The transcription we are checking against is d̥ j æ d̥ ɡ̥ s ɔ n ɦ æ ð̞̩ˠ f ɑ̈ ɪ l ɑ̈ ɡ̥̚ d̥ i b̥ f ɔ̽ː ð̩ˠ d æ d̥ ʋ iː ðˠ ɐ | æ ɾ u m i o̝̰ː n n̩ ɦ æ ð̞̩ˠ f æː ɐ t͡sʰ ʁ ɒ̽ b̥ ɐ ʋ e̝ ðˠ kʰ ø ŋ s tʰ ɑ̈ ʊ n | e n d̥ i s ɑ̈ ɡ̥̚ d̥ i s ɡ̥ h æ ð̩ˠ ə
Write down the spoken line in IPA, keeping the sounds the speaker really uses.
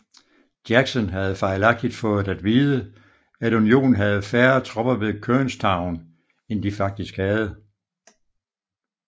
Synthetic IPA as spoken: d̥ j æ ɡ̥ s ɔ n ɦ æ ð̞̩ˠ f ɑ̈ ɪ l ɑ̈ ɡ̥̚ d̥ i d̥ f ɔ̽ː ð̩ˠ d æ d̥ ʋ iː ðˠ ə | æ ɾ u n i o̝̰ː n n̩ ɦ æ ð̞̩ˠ f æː ɐ t͡sʰ ʁ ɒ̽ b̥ ɐ ʋ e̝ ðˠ kʰ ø n s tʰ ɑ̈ ʊ n | e n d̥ i f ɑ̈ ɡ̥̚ d̥ i s ɡ̥ h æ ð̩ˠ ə